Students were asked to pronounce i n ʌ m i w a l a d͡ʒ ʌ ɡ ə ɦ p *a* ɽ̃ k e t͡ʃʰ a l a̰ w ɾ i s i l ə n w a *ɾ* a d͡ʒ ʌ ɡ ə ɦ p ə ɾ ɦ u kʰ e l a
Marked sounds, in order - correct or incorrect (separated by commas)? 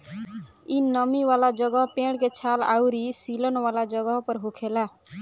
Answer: incorrect, incorrect